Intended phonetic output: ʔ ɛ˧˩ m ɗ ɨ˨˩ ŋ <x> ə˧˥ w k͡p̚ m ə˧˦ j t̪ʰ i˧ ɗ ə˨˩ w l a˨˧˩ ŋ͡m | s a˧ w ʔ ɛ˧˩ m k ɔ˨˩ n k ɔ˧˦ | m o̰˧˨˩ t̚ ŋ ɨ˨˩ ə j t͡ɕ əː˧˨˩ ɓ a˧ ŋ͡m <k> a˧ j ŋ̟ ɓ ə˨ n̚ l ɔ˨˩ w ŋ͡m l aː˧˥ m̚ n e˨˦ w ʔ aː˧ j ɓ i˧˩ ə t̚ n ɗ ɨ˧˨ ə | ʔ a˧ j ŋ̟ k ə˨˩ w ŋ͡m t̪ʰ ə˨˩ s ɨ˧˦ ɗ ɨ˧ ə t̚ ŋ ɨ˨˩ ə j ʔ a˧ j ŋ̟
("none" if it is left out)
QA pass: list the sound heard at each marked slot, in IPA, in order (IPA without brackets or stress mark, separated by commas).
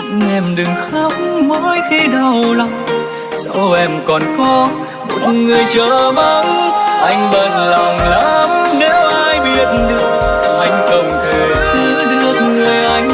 x, ʔ